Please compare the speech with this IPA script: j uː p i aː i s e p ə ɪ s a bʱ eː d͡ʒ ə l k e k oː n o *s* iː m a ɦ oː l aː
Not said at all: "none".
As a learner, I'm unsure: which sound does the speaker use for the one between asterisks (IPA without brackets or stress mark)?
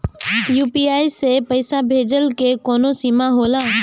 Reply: s